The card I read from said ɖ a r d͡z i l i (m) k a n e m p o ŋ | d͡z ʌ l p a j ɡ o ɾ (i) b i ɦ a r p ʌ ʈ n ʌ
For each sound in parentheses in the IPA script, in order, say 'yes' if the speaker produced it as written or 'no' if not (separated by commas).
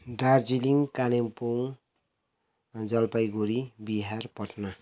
no, yes